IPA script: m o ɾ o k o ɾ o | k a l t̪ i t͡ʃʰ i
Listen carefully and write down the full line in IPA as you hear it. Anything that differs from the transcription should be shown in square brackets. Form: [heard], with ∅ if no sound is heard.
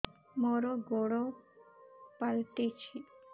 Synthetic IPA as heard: m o ɾ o [ɡ] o [ɽ] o | [p] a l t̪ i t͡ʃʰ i